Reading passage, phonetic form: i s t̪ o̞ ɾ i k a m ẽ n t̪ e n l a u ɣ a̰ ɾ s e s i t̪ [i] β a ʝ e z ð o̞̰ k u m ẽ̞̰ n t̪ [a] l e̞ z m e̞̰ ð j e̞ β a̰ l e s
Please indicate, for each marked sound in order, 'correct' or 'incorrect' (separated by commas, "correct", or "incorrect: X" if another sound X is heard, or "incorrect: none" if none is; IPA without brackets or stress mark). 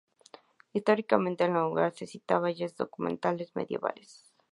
incorrect: a, correct